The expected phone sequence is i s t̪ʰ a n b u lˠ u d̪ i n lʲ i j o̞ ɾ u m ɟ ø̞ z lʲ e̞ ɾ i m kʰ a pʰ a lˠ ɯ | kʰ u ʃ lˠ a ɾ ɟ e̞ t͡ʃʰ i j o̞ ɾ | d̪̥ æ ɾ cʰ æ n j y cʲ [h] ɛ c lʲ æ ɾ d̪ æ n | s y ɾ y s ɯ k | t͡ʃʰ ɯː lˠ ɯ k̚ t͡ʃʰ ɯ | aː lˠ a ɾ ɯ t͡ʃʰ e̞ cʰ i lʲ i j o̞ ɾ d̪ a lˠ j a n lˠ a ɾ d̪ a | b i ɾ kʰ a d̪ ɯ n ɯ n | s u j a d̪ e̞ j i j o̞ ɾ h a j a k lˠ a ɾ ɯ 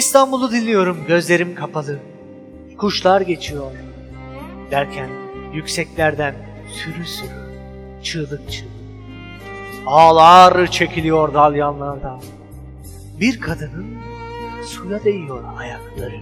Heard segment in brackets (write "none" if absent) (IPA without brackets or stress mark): s